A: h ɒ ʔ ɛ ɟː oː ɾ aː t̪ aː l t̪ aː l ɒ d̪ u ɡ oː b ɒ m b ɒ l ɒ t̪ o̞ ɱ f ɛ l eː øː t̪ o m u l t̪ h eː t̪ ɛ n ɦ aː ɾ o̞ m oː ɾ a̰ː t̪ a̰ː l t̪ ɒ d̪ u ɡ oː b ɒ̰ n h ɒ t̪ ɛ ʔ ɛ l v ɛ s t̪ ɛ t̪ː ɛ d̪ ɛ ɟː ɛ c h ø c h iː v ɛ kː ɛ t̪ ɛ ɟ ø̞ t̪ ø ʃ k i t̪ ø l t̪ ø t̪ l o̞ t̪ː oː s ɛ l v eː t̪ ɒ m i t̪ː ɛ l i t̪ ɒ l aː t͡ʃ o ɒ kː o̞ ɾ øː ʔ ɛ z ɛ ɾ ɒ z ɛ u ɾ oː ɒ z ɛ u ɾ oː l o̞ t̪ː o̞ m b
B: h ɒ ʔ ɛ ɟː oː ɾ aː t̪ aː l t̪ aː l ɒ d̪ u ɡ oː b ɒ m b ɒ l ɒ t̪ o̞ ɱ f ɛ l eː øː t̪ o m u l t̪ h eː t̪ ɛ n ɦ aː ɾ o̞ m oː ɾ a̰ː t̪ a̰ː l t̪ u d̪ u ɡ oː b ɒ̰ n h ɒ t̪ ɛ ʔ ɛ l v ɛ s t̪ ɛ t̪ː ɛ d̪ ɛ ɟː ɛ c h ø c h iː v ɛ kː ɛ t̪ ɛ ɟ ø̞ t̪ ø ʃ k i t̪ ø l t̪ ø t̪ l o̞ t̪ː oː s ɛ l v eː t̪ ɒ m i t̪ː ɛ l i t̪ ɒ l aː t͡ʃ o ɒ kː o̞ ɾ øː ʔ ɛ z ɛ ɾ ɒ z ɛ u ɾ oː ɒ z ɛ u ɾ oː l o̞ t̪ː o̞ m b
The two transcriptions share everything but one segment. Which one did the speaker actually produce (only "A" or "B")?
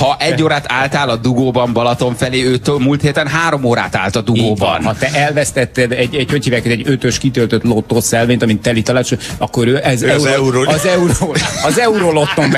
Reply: A